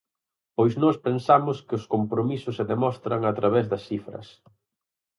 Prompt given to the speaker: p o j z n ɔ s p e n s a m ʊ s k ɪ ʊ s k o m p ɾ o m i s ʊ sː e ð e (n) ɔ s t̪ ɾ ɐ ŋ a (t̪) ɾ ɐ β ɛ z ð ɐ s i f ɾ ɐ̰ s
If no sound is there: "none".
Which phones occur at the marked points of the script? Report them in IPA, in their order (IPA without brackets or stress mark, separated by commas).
m, t̪